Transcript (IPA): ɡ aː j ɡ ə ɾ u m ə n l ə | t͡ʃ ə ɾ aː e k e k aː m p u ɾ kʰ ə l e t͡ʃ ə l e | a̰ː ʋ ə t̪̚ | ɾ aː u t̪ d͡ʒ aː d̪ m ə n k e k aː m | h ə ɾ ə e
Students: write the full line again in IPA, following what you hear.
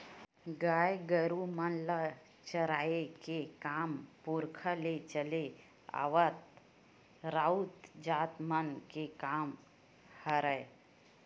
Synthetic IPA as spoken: ɡ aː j ɡ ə ɾ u m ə n l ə | t͡ʃ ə ɾ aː e k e k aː m p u ɾ kʰ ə l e t͡ʃ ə l e | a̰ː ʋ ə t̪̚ | ɾ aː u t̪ d͡ʒ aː t̪ m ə n k e k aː m | h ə ɾ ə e